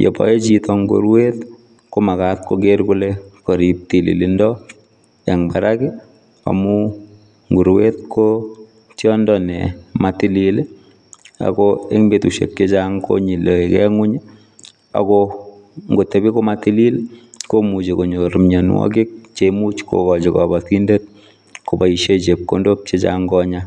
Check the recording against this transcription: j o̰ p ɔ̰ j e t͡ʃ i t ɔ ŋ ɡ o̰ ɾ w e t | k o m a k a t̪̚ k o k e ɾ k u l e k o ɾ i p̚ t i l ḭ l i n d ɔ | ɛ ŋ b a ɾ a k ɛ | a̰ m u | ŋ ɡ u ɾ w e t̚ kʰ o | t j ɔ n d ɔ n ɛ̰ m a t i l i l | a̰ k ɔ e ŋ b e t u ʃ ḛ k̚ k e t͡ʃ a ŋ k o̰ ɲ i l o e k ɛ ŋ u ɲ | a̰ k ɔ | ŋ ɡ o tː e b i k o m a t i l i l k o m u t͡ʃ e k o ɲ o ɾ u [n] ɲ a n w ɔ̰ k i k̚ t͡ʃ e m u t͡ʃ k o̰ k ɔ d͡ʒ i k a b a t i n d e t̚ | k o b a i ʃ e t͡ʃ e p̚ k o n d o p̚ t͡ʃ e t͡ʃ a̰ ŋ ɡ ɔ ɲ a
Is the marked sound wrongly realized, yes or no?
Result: yes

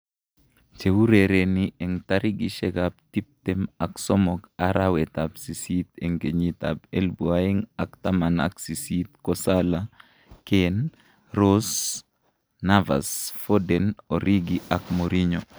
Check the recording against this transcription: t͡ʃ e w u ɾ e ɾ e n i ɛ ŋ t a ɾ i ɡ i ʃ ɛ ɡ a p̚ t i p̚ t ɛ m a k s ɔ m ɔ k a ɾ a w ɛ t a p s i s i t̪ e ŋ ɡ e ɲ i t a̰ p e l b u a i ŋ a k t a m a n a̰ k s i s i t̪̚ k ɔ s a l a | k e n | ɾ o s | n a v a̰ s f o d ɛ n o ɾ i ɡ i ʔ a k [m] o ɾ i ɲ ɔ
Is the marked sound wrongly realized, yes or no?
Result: no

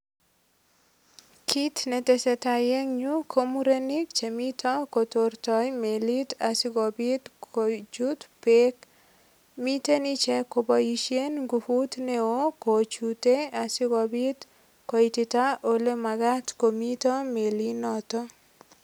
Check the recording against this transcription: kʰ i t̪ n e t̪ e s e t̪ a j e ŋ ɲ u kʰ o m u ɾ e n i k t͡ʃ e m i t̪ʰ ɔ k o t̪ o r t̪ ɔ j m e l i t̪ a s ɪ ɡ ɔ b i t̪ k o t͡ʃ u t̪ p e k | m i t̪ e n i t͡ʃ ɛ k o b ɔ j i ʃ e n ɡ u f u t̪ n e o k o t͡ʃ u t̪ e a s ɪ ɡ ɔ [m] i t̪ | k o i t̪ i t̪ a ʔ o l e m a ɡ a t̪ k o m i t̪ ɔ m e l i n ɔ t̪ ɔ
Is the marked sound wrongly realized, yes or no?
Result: yes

